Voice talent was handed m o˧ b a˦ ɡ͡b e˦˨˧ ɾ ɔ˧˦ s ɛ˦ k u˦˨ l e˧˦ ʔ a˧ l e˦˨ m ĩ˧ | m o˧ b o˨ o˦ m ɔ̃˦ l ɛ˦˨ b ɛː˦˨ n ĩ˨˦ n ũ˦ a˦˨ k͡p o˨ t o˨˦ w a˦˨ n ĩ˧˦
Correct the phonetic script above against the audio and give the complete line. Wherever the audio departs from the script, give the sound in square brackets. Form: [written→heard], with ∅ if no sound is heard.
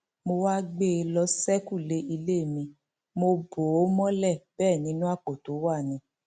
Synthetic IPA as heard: m o˧ [b→w] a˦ ɡ͡b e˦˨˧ [ɾ→l] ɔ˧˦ s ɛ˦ k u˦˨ l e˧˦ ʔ [a˧→i˧] l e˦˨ m ĩ˧ | m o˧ b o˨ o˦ m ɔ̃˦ l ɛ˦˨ b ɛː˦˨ n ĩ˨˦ n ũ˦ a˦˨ k͡p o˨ t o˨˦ w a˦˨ n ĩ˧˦